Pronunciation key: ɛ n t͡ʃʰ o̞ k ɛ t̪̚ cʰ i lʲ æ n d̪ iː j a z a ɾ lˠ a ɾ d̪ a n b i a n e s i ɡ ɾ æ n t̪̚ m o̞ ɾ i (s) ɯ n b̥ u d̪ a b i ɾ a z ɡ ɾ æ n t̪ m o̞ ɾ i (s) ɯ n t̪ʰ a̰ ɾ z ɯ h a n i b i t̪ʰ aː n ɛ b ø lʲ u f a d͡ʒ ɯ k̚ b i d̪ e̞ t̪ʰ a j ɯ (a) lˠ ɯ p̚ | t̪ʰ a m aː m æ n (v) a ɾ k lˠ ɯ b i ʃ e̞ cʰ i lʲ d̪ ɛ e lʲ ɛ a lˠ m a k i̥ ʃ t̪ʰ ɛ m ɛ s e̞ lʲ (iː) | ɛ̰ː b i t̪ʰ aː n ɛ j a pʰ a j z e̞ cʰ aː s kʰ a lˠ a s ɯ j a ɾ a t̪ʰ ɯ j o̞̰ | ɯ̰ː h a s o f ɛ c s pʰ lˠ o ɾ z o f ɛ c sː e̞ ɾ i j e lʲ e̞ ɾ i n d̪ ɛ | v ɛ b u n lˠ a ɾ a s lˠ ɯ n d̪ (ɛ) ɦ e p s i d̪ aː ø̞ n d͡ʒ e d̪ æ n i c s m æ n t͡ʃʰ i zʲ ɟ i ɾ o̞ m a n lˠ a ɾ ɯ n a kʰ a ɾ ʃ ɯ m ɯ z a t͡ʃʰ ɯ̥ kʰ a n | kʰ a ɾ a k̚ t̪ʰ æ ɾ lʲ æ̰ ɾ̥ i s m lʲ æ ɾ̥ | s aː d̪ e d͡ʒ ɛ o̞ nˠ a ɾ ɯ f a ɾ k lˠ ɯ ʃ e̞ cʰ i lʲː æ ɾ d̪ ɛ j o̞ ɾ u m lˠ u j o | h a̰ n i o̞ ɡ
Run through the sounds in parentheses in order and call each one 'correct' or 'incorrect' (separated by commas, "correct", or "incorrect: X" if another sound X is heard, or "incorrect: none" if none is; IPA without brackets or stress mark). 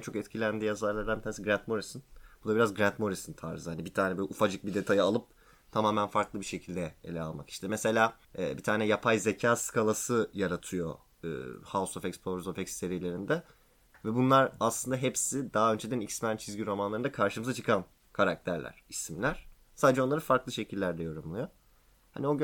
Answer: correct, correct, correct, incorrect: f, incorrect: aː, incorrect: a